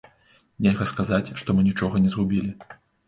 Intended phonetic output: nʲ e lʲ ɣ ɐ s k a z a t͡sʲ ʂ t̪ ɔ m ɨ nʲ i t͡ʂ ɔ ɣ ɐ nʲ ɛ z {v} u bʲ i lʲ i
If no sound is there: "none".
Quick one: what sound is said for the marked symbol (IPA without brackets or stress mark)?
ɣ